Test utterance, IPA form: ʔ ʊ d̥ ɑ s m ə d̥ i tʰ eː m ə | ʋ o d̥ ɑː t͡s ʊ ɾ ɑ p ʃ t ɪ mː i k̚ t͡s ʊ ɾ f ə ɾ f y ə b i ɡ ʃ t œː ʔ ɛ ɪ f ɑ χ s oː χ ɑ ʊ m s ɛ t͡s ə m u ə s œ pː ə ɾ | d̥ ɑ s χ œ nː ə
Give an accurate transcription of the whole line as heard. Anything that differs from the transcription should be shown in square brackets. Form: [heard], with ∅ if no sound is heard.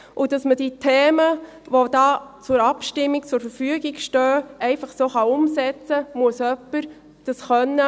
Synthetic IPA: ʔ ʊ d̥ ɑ s m ə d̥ i tʰ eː m ə | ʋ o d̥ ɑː t͡s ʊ ɾ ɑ p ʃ t ɪ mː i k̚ t͡s ʊ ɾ f ə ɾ f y ə [ɡ] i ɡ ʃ t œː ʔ ɛ ɪ f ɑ χ s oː χ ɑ ʊ m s ɛ t͡s ə m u ə s œ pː ə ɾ | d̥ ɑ s χ œ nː ə

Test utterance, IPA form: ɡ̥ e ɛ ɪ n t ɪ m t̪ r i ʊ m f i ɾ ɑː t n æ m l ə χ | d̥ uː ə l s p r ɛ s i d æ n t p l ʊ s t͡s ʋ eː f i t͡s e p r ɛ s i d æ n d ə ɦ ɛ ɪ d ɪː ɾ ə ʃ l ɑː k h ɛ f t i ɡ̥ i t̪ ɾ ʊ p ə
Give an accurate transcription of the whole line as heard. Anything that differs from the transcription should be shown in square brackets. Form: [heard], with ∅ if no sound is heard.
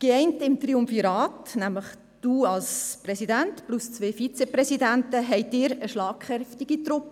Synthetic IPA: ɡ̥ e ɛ ɪ n t ɪ m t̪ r i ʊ m f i ɾ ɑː t n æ m l ə χ | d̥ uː [ɑ] l s p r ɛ s i d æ n t p l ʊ s t͡s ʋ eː f i t͡s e p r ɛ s i d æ n [t] ə ɦ ɛ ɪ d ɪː ɾ ə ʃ l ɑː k [χ] ɛ f t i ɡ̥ i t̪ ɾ ʊ p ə

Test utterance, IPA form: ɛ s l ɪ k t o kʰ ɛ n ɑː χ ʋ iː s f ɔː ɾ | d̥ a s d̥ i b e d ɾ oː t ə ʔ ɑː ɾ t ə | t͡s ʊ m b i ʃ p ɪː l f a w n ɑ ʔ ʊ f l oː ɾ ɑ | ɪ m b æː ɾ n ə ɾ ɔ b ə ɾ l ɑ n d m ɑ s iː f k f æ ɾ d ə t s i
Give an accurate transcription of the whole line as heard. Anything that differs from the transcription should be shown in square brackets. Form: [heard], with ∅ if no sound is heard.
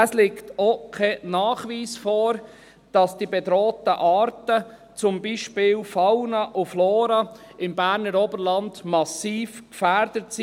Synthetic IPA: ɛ s l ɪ k t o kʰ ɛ n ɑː χ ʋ iː s f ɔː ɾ | d̥ [ɑ] s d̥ i b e d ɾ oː t ə ʔ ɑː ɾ t ə | t͡s ʊ m b i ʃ p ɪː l f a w n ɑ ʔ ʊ f l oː ɾ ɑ | ɪ m b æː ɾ n ə ɾ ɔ b ə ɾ l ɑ n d m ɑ s iː f k f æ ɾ d ə t s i

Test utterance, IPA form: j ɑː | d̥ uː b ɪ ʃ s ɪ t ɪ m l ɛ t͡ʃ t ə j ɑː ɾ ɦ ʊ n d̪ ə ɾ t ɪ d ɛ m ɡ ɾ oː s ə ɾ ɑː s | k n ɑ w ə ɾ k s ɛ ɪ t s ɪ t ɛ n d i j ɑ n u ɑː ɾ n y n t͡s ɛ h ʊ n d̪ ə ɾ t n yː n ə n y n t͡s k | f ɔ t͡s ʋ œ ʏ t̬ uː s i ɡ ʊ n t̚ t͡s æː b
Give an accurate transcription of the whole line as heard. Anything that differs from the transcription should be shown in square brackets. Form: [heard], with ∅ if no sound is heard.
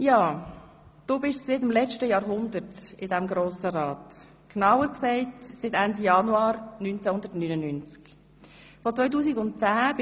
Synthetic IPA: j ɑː | d̥ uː b ɪ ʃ s ɪ t ɪ m l ɛ t͡ʃ t ə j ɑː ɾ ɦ ʊ n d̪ ə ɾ t ɪ d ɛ m ɡ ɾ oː s ə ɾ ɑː [t] | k n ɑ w ə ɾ k s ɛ ɪ t s ɪ t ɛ n d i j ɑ n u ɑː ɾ n y n t͡s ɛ h ʊ n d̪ ə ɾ t n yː n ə n y n t͡s k | f ɔ t͡s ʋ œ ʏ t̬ uː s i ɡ ʊ n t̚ t͡s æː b

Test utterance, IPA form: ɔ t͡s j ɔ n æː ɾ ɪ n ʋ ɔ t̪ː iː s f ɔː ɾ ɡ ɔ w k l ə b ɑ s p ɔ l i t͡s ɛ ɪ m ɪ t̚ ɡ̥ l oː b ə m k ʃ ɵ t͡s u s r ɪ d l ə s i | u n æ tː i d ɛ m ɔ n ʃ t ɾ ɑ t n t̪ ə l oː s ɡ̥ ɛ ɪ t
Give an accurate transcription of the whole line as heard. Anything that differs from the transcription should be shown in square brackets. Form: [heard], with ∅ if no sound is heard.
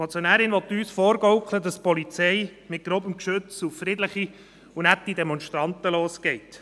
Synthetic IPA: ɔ t͡s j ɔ n æː ɾ ɪ n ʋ ɔ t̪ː [yː] s f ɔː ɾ ɡ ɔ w k l ə [d] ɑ s p ɔ l i t͡s ɛ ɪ m ɪ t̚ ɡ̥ [ɾ] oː b ə m k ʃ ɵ t͡s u [f] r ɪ d l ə [χ] i | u n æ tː i d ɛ m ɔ n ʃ t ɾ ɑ [∅] n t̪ ə l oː s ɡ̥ ɛ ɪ t

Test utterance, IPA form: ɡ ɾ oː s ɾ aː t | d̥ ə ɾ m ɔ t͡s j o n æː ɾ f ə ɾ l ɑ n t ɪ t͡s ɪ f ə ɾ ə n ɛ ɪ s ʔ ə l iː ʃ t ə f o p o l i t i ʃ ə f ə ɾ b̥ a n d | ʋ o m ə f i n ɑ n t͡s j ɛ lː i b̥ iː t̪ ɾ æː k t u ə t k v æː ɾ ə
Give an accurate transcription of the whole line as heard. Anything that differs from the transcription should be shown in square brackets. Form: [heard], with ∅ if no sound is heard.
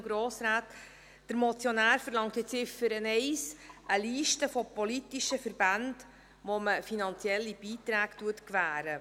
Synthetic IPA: ɡ ɾ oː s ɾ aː t | d̥ ə ɾ m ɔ t͡s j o n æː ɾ f ə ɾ l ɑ [ŋ] t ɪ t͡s ɪ f ə ɾ ə n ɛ ɪ s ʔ ə l iː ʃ t ə f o p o l i t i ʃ ə f ə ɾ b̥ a n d | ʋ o m ə f i n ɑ n t͡s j ɛ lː i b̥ iː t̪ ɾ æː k t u ə t k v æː ɾ ə

